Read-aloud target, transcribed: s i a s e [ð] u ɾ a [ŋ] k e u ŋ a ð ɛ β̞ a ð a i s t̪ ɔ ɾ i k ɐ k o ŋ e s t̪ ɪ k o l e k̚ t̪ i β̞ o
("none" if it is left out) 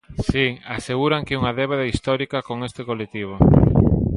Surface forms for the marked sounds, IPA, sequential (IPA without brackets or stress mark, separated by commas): ɣ, ŋ